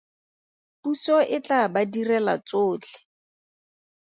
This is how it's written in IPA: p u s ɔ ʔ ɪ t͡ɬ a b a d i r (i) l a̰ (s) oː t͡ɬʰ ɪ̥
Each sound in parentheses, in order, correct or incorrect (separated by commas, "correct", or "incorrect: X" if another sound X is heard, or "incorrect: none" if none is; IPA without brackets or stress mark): incorrect: ɛ, incorrect: t͡s